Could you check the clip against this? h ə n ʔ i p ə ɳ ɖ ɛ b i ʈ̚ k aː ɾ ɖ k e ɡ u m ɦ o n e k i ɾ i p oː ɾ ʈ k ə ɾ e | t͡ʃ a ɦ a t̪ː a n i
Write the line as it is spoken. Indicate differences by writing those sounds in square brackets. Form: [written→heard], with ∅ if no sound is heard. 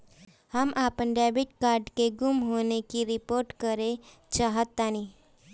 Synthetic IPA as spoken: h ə [n→m] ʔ [i→a] p ə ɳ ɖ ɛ b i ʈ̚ k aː ɾ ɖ k e ɡ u m ɦ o n e k i ɾ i p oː ɾ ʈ k ə ɾ e | t͡ʃ a ɦ [a→ə] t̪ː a n i